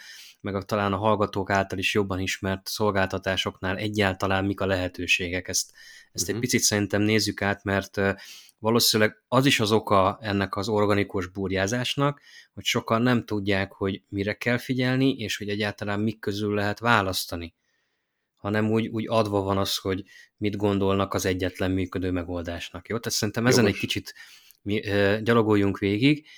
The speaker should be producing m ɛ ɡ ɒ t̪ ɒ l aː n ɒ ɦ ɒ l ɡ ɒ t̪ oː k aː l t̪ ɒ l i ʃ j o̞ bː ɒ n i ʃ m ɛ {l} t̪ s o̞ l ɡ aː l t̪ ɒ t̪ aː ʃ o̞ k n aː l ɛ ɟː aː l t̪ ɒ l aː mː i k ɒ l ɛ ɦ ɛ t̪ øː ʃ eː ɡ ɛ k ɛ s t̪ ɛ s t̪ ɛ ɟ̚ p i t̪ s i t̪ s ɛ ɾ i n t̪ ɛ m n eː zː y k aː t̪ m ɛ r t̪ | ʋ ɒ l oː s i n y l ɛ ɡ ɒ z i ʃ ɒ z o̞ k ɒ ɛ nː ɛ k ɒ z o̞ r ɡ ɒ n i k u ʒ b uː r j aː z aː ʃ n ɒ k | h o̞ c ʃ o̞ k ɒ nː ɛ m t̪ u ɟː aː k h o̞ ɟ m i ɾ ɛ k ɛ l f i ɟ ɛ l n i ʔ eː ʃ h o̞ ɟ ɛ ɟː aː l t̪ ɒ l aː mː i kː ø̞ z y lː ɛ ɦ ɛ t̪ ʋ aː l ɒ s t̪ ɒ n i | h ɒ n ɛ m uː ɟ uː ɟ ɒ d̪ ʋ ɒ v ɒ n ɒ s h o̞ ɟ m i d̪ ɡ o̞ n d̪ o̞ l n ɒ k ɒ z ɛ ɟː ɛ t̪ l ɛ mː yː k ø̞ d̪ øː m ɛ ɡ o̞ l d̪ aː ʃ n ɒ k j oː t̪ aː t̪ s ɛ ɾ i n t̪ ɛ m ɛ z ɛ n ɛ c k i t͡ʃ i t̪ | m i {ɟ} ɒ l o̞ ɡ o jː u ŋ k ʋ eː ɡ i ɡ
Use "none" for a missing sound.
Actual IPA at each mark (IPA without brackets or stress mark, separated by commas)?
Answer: r, ɟ